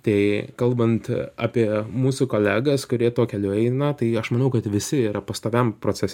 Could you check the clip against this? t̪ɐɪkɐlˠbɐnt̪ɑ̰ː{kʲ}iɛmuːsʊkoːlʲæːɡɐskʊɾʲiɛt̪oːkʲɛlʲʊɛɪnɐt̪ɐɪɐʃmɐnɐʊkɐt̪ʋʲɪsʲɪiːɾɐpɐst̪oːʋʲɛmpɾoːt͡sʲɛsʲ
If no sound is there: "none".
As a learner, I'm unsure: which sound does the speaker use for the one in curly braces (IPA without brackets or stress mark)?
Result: pʲ